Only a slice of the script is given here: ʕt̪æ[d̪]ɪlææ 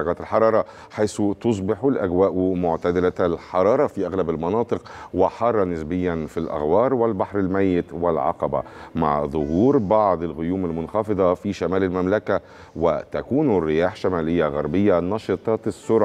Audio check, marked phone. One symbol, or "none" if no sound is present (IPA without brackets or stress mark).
d̪